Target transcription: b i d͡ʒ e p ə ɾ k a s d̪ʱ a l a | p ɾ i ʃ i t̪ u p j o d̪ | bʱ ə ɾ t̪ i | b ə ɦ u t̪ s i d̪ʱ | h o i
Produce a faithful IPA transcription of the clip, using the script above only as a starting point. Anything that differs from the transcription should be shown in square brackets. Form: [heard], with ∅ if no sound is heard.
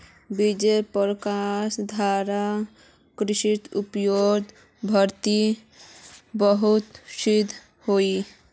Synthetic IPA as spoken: b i d͡ʒ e p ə ɾ k a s d̪ʱ a [ɾ] a | [k] ɾ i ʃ i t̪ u p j o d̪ | bʱ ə ɾ t̪ i | b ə ɦ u t̪ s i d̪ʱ | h o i